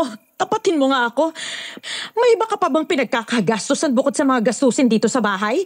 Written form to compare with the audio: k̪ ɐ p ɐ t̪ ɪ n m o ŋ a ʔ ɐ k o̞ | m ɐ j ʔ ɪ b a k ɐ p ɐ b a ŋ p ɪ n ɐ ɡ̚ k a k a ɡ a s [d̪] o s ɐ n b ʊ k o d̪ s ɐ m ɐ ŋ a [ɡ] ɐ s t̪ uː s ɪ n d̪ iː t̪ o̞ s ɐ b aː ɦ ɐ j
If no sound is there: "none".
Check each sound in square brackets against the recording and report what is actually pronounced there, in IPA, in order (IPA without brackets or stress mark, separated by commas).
t̪, ɡ